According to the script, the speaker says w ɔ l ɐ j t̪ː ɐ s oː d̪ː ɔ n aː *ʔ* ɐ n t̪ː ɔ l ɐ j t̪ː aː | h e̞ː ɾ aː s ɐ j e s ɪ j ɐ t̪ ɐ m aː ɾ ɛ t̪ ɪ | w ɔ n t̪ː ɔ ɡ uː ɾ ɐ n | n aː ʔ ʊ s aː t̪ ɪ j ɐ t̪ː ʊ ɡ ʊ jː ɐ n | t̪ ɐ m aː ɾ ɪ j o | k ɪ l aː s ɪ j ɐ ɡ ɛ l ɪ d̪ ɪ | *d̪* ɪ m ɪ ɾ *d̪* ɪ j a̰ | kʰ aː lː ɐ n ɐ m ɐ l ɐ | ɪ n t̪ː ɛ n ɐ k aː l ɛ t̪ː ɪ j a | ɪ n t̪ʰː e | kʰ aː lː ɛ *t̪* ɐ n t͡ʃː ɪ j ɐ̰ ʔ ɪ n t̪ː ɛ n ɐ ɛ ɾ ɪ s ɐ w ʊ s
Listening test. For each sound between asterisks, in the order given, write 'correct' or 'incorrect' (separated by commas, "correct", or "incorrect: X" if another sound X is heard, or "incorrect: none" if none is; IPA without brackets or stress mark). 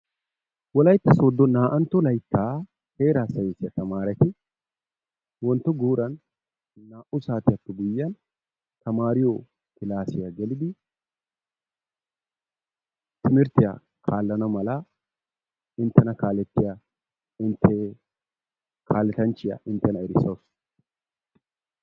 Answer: correct, incorrect: t̪, incorrect: t̪, correct